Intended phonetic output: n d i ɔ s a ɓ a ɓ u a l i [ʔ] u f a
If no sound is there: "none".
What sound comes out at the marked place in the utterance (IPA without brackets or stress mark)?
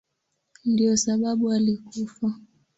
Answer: k